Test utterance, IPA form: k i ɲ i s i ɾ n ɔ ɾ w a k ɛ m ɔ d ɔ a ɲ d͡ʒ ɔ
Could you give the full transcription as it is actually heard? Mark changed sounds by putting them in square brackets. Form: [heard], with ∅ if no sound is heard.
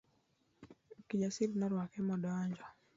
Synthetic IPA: k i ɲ [a] s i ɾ n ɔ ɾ w a k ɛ m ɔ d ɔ a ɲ d͡ʒ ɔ